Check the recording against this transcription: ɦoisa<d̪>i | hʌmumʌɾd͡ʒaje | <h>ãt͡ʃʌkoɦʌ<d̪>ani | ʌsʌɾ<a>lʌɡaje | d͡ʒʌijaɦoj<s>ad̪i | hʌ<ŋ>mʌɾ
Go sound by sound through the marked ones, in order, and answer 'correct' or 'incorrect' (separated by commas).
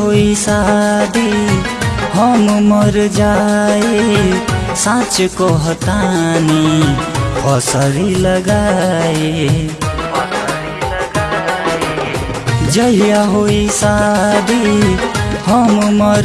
correct, incorrect, incorrect, incorrect, correct, incorrect